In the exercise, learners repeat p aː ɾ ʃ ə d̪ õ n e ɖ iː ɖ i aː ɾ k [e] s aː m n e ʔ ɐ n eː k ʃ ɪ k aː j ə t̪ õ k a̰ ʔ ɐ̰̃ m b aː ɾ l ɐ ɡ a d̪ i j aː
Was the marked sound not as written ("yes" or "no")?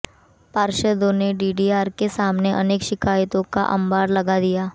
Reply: no